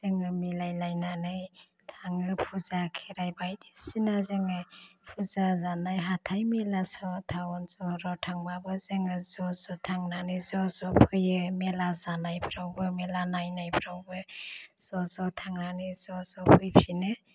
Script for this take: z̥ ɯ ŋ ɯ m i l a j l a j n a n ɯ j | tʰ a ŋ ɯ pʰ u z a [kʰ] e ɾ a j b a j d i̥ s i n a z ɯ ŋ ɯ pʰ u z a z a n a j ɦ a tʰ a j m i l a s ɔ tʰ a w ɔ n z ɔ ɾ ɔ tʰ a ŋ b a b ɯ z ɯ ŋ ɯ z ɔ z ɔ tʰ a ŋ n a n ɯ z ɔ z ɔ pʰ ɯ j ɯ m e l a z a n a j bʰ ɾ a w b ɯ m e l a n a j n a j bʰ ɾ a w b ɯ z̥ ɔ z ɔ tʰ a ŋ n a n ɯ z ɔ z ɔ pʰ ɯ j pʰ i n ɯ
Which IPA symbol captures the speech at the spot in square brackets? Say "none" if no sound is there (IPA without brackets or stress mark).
kʰ